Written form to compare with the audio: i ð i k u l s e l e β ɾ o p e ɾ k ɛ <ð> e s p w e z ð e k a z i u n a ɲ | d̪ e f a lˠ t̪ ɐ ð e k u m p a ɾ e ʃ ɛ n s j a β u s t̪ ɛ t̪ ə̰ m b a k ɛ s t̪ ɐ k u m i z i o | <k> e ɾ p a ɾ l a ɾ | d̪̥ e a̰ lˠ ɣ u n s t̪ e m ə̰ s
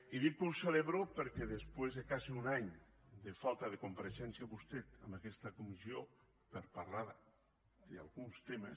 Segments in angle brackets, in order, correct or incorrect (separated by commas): correct, incorrect